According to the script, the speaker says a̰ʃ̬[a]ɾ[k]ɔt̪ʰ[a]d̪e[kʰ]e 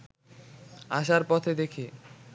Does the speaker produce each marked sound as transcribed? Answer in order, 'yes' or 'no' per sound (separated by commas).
yes, no, no, yes